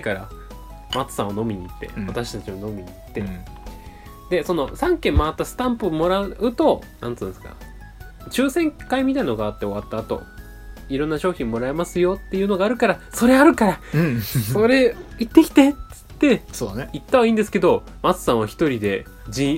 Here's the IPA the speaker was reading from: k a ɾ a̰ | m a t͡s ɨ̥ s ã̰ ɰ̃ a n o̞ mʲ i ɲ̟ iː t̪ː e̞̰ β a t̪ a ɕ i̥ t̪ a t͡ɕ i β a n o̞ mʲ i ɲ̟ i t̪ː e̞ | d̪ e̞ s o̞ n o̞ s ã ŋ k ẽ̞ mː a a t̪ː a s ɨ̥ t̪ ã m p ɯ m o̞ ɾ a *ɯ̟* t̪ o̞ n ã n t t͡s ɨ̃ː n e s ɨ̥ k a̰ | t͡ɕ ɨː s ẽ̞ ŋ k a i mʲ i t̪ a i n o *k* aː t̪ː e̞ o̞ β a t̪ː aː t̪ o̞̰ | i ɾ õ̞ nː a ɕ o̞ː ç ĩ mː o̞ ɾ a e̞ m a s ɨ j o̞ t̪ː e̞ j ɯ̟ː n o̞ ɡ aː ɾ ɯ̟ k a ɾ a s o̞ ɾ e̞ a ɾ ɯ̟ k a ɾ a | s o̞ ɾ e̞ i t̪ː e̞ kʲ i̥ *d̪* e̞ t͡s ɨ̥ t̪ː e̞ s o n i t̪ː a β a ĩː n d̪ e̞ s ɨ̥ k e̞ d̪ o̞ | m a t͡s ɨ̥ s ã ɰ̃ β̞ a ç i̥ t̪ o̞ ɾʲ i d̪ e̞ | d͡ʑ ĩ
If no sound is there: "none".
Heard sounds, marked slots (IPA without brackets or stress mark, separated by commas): ɯ̟, ɡ, t̪